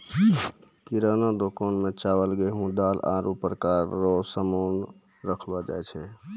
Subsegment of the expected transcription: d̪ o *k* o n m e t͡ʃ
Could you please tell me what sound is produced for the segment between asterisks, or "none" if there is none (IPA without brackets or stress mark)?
k